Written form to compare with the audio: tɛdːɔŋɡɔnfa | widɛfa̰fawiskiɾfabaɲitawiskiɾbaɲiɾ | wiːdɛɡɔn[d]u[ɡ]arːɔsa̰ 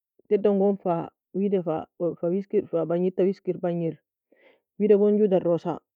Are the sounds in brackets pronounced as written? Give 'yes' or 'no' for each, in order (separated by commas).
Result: no, no